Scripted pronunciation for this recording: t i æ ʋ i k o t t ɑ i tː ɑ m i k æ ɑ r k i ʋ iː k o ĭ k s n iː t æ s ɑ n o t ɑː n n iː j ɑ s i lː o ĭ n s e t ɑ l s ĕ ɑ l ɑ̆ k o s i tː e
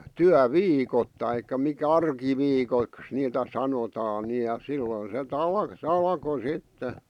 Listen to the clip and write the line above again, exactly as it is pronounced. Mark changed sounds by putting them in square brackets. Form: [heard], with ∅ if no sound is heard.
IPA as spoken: t [y] æ ʋ [iː] k o t t ɑ i [kː] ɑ m i k æ ɑ r k i ʋ iː k o ĭ k s n iː t æ s ɑ n o t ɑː n n [i] j ɑ s i lː o ĭ n s e t ɑ l s ĕ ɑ l ɑ̆ k o s i tː e